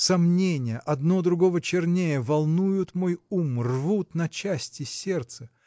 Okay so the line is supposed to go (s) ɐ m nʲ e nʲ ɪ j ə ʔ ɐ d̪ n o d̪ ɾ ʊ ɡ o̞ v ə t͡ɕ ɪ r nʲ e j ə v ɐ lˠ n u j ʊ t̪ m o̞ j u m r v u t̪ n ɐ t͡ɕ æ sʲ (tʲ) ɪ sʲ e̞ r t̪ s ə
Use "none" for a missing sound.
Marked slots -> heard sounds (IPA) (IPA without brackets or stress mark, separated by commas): s, tʲ